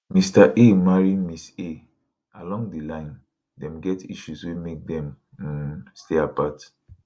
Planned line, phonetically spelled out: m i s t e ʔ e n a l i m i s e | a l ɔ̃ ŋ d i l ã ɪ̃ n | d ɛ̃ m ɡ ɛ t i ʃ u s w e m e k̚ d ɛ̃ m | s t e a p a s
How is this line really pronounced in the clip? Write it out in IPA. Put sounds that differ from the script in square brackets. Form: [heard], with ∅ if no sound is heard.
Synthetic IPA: m i s t [a] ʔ e [m] a [ɹ] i m i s e | a l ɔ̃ ŋ d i l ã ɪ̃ n | d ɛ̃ m ɡ ɛ t i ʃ u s w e m e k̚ d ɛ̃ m | s t e a p a [t]